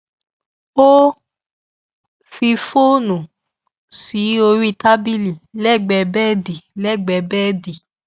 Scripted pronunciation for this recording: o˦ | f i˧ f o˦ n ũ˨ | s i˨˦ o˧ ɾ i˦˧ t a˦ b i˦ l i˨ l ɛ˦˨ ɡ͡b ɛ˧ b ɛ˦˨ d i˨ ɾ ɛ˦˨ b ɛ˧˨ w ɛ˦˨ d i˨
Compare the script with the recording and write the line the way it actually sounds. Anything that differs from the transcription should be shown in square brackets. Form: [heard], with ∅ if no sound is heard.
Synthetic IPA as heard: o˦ | f i˧ f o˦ n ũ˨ | s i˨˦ o˧ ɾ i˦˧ t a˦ b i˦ l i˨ l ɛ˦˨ ɡ͡b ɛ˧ b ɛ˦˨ d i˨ [l] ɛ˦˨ [ɡ͡b] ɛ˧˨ [b] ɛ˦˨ d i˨